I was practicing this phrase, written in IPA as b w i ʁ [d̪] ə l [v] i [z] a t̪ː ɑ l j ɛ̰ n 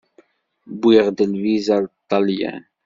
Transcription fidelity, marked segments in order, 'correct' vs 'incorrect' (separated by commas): correct, correct, correct